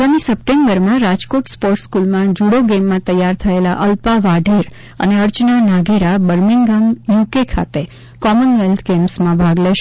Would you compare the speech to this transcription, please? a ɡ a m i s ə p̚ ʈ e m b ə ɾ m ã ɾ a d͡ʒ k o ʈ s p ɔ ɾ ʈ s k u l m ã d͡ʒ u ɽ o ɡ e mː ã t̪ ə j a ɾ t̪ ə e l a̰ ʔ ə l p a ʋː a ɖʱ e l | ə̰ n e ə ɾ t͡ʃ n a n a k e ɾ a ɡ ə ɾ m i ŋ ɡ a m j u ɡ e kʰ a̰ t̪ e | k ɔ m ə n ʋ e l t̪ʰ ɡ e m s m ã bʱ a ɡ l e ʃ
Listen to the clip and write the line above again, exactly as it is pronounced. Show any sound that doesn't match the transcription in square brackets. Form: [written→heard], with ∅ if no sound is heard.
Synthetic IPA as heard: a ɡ a m i s ə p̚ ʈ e m b ə ɾ m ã ɾ a d͡ʒ k o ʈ s p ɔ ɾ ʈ s k u l m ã d͡ʒ u ɽ o ɡ e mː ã t̪ ə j a ɾ [t̪→t̪ʰ] ə e l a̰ ʔ ə l p a [ʋː→ʋ] a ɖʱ e [l→ɾ] | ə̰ n e ə ɾ t͡ʃ n a n a [k→ɡ] e ɾ a [ɡ→b] ə ɾ m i ŋ ɡ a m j u [ɡ→k] e kʰ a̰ t̪ e | k ɔ m ə n ʋ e l t̪ʰ ɡ e m s m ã bʱ a ɡ l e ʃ